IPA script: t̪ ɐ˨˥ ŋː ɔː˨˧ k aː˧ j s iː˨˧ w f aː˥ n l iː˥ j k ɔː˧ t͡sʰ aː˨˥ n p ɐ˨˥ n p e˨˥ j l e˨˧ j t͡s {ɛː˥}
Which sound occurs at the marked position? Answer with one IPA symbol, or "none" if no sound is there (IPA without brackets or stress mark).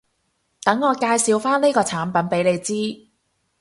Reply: iː˥